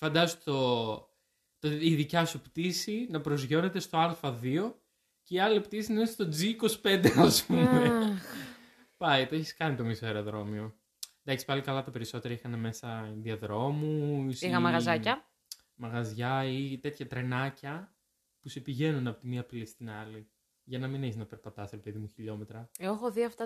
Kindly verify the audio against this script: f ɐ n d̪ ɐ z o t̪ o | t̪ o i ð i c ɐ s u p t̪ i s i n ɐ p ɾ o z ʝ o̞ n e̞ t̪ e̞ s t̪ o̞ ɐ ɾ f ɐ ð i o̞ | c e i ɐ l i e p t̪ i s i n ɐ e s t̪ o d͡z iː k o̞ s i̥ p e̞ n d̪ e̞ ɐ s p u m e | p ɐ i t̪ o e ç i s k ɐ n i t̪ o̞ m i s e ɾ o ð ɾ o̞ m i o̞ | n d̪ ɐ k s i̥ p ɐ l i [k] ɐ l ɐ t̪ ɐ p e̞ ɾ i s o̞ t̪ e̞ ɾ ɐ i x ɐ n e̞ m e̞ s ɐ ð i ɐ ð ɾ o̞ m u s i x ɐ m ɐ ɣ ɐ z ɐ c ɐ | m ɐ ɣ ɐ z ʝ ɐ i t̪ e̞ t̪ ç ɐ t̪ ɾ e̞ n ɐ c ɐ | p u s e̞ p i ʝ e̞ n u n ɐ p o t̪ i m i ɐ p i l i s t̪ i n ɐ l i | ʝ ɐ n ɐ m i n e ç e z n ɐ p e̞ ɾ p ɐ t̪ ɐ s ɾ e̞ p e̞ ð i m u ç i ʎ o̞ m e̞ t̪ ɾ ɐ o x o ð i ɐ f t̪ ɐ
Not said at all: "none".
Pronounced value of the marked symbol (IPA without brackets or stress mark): k